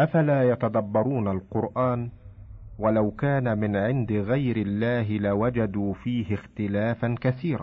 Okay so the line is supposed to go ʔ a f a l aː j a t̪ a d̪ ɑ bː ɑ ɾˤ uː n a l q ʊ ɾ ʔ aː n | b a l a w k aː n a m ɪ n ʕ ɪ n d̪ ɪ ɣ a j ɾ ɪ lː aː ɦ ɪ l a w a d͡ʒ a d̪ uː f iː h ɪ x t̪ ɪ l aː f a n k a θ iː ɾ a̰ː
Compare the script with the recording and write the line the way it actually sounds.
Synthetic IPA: ʔ a f a l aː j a t̪ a d̪ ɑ bː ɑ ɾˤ uː n a l q ʊ ɾ ʔ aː n | w a l a w k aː n a m ɪ n ʕ ɪ n d̪ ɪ ɣ a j ɾ ɪ lː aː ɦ ɪ l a w a d͡ʒ a d̪ uː f iː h ɪ x t̪ ɪ l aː f a n k a θ iː ɾ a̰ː